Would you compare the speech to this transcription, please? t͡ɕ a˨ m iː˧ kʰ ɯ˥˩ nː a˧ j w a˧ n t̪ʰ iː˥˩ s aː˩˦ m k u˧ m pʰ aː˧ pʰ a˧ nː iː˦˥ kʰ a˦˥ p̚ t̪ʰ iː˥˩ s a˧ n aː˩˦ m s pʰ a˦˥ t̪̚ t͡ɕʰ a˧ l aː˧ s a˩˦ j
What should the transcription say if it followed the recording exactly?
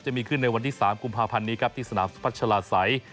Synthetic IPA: t͡ɕ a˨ m iː˧ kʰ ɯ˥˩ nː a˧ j w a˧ n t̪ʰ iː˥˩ s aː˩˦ m k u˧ m pʰ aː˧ pʰ a˧ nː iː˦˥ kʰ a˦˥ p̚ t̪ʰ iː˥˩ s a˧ n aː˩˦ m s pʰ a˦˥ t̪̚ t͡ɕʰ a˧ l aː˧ s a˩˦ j